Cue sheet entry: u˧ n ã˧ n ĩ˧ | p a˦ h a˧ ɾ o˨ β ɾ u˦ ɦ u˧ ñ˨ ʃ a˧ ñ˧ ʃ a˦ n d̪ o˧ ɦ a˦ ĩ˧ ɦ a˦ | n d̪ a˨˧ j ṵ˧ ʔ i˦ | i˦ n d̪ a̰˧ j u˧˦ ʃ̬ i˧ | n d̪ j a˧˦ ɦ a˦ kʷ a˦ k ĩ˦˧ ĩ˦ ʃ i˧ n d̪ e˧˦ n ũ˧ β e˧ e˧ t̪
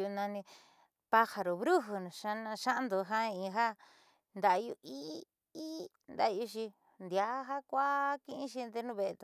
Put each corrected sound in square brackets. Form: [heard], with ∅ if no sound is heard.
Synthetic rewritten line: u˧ n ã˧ n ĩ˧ | p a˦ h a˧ ɾ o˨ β ɾ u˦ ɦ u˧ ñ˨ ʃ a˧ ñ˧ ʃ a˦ n d̪ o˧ ɦ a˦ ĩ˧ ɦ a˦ | n d̪ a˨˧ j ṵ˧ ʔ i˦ | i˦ n d̪ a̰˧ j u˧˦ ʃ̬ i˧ | n d̪ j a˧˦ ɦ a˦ kʷ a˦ k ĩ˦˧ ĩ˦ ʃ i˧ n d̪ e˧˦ n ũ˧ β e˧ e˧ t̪